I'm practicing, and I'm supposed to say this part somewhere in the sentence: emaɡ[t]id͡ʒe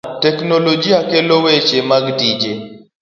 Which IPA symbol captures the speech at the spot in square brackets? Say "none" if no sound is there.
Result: d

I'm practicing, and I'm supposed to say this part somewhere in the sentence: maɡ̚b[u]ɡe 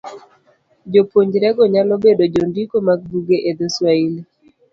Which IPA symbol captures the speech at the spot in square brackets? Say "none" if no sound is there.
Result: u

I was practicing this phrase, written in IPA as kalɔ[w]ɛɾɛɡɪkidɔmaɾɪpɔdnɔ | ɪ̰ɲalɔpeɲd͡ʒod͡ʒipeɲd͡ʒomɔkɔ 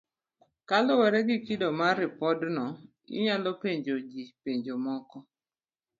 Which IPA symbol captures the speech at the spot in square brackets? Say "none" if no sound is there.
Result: w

